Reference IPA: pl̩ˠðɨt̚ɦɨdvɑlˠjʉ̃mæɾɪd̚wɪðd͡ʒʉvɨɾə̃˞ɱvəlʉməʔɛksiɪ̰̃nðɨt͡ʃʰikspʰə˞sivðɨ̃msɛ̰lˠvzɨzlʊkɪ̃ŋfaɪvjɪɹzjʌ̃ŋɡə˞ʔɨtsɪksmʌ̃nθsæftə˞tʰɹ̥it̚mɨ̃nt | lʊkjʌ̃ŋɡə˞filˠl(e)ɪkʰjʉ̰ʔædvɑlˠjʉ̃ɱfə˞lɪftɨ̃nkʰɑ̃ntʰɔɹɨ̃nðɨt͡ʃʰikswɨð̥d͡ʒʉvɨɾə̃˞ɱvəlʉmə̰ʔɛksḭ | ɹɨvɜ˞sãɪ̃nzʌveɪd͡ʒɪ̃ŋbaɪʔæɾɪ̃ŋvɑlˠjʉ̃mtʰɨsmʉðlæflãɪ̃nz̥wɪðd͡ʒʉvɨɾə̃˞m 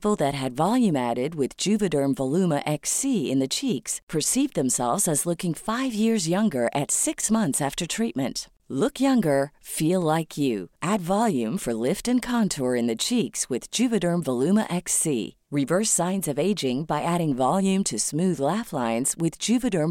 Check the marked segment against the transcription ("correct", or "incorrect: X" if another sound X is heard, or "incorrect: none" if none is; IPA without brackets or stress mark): incorrect: a